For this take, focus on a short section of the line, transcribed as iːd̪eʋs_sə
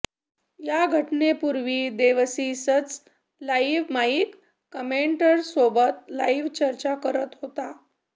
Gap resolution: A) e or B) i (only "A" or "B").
B